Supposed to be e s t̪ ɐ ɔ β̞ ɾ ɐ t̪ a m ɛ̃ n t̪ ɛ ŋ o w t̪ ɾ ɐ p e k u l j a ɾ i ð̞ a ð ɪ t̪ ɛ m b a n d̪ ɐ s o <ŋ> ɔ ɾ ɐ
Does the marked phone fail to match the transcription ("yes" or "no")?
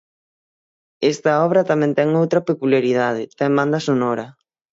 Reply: yes